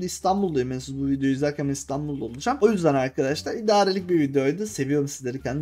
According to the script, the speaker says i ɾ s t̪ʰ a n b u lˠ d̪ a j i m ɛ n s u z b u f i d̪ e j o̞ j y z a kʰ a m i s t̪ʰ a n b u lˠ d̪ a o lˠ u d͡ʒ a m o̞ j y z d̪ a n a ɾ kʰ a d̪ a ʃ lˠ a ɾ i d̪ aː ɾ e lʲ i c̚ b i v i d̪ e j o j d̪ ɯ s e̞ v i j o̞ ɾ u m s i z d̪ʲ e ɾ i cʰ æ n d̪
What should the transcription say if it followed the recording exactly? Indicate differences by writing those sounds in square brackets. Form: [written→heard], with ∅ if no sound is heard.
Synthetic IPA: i [ɾ→∅] s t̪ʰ a n b u lˠ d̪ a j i m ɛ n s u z b u [f→v] i d̪ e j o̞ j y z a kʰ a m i s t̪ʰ a n b u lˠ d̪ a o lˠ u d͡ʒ a m o̞ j y z d̪ [a→æ] n a ɾ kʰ a d̪ a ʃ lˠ a ɾ i d̪ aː ɾ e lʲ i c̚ b i v i d̪ e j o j d̪ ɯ s e̞ v i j o̞ ɾ u m s i z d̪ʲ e ɾ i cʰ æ n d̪